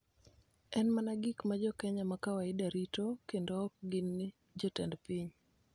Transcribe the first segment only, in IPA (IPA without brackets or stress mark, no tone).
ɛ